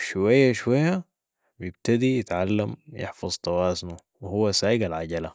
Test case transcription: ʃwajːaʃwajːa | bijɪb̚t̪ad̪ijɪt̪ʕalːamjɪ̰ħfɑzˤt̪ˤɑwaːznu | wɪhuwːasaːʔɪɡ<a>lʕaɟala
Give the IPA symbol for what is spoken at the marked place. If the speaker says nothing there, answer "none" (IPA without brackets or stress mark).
a